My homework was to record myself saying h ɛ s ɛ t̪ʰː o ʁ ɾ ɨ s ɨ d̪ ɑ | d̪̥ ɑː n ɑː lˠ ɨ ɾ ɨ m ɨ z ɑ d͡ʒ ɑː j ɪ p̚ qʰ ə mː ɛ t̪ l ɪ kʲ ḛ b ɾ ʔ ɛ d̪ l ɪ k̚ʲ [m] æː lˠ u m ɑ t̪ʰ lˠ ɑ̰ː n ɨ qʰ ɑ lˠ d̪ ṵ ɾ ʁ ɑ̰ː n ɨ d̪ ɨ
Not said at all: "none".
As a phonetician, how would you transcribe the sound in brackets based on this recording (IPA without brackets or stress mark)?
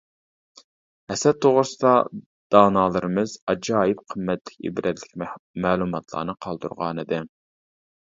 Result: m